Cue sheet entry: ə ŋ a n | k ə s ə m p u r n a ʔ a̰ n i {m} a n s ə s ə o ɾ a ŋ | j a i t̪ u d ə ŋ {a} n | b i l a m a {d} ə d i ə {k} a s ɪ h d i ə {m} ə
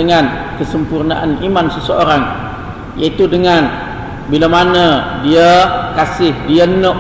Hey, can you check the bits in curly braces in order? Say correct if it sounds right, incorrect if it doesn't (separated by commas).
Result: correct, correct, incorrect, correct, incorrect